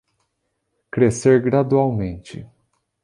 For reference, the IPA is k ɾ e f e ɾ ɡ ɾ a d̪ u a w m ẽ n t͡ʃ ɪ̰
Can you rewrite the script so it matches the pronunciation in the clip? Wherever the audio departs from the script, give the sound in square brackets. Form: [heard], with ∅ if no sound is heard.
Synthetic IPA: k ɾ e [s] e ɾ ɡ ɾ a d̪ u a w m ẽ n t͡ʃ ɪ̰